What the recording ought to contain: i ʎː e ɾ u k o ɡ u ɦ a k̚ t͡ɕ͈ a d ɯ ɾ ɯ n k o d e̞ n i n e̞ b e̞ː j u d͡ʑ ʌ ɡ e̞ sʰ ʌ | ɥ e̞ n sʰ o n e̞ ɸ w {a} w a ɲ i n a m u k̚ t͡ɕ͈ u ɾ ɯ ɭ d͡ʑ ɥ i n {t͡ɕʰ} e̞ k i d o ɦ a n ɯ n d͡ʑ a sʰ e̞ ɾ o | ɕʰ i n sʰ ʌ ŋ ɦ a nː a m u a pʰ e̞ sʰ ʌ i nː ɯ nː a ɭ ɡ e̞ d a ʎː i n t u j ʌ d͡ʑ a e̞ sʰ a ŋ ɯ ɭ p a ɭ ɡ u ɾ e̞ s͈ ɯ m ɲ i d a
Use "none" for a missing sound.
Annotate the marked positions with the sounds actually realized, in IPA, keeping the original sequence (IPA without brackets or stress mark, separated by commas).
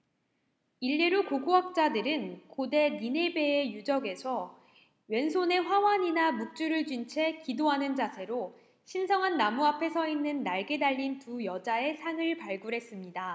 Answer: a, t͡ɕʰ